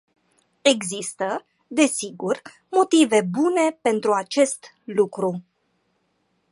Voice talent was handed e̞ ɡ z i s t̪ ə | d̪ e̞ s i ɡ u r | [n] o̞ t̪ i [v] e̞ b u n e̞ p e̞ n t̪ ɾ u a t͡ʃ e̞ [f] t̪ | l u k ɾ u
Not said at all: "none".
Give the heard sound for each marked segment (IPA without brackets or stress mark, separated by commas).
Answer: m, v, s